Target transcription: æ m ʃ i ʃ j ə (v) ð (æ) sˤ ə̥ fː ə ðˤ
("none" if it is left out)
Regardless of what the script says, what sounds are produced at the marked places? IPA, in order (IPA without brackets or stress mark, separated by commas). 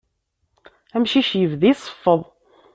v, i